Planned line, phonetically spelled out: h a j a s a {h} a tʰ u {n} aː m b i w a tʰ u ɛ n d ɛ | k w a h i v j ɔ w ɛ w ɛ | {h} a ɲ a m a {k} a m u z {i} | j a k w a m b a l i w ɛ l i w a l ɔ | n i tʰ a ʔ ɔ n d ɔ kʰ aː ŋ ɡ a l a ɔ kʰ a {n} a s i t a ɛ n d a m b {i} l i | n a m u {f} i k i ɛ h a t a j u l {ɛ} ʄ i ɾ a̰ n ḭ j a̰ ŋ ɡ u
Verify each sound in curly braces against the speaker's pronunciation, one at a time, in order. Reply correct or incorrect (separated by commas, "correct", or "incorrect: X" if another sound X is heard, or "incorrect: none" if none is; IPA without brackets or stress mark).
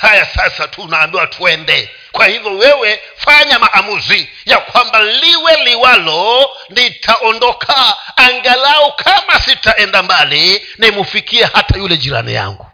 incorrect: s, correct, incorrect: f, incorrect: ʔ, correct, incorrect: m, incorrect: a, correct, correct